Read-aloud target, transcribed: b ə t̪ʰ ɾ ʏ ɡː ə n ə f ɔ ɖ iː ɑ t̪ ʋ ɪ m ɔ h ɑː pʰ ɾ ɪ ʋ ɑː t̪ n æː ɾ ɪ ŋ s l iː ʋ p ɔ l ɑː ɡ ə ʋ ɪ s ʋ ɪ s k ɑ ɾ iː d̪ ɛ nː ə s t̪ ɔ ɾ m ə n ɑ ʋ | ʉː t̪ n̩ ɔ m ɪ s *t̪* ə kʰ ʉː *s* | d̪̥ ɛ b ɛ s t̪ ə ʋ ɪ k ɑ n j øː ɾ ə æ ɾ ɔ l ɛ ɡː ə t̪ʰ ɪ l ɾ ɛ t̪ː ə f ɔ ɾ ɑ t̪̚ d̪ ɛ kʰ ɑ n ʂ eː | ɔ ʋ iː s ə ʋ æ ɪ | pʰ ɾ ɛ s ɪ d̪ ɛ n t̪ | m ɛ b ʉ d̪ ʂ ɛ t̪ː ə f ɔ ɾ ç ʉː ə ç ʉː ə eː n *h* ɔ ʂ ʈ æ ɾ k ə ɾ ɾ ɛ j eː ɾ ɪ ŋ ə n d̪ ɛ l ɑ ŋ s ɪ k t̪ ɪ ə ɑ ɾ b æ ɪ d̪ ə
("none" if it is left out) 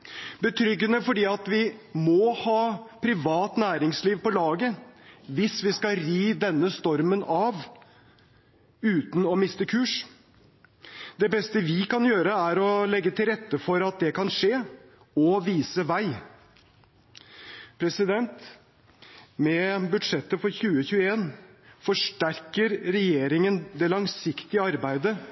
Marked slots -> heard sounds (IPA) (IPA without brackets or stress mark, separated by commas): t̪, ʂ, f